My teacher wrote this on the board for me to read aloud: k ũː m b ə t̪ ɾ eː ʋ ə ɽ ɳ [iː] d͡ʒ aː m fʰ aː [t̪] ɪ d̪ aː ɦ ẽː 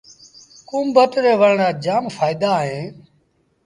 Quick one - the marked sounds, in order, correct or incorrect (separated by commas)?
incorrect, incorrect